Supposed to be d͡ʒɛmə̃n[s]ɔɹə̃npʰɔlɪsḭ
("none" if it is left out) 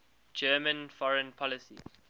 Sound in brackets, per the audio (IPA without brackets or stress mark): f